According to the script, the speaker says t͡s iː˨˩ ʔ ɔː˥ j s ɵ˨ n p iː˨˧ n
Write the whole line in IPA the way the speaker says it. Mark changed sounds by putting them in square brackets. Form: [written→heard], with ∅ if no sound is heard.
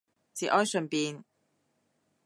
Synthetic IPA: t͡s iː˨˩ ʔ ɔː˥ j s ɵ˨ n p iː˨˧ n